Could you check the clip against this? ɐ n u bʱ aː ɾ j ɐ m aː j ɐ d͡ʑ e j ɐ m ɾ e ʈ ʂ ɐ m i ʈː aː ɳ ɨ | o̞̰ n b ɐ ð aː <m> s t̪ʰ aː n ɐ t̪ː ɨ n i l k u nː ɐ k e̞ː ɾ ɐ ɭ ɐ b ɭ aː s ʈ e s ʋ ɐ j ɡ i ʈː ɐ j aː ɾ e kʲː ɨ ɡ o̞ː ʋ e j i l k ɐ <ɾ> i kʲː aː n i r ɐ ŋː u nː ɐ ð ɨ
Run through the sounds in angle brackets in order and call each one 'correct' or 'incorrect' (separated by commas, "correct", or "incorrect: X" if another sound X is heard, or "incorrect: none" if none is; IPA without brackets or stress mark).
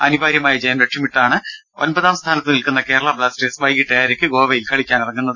correct, incorrect: ɭ